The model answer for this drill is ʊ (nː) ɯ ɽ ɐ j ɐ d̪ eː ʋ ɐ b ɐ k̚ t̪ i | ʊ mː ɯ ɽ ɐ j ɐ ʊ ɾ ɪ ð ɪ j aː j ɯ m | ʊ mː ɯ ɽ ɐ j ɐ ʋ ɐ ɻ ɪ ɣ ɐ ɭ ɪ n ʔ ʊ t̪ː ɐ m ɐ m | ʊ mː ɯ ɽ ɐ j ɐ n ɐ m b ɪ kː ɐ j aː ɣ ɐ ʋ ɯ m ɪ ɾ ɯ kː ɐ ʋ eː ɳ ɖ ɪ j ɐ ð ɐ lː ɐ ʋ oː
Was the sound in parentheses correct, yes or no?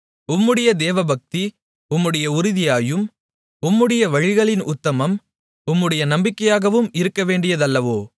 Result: no